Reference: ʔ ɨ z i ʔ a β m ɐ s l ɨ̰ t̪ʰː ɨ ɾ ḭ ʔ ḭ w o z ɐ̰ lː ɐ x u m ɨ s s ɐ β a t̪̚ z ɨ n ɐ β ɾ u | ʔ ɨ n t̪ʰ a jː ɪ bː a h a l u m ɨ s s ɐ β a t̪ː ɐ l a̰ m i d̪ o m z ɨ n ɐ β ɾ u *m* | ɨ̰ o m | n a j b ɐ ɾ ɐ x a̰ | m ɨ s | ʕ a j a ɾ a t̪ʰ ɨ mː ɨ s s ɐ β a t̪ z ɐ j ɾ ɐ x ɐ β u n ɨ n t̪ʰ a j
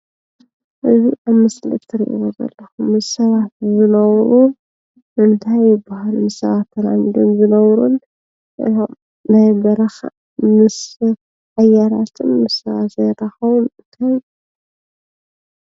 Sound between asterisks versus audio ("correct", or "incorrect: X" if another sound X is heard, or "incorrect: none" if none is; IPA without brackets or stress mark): incorrect: n